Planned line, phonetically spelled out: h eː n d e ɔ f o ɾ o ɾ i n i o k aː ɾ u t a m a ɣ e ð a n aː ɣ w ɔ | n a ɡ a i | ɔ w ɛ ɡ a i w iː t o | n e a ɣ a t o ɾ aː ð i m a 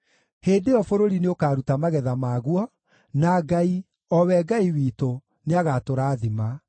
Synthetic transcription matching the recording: h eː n d e ɔ f o ɾ o ɾ i n e o k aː ɾ u t a m a ɣ ɛ ð a m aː ɣ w ɔ | n a ɡ a i | ɔ w ɛ ɡ a i w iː t o | n e a ɣ a t o ɾ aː ð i m a